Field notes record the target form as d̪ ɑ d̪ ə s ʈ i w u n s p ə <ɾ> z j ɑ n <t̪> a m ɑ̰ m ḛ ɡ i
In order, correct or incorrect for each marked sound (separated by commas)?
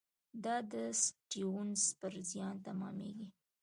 correct, correct